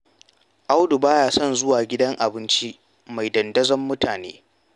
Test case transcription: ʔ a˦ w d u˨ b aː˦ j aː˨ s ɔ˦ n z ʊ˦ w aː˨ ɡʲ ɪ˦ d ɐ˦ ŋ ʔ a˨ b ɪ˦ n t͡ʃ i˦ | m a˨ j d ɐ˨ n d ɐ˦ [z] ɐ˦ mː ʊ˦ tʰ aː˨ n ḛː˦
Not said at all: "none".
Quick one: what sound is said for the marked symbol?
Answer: z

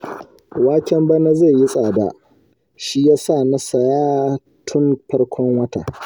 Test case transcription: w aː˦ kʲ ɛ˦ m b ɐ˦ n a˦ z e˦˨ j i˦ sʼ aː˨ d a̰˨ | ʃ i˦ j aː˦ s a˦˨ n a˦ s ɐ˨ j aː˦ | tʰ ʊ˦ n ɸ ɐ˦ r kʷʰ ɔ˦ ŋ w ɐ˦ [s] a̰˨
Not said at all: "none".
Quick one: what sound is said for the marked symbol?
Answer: t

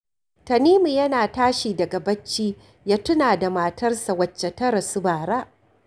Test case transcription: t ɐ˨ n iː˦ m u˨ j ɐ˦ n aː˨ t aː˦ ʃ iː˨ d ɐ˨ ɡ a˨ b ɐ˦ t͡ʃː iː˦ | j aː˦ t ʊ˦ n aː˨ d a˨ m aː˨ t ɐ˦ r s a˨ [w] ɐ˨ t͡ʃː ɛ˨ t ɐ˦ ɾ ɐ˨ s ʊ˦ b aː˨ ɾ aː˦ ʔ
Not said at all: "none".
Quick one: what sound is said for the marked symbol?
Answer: w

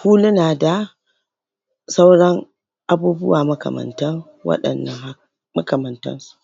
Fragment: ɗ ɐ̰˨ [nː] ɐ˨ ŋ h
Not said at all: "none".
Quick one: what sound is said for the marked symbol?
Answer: nː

